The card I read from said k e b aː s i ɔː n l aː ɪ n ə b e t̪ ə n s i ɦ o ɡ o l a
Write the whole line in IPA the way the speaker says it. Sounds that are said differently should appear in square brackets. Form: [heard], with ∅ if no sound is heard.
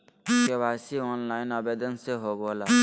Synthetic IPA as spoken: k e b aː s i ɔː n l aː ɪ n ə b e [d̪] ə n s [e] ɦ o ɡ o l a